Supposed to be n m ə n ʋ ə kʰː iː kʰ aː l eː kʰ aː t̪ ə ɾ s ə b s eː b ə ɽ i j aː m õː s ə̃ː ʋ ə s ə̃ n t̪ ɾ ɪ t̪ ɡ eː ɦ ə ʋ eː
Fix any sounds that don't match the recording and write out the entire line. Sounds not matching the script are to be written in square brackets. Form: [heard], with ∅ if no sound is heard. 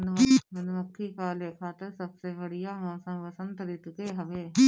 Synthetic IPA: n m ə n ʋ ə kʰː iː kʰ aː l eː kʰ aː t̪ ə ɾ s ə b s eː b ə ɽ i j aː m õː s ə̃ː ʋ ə s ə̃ n t̪ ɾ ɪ t̪ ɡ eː ɦ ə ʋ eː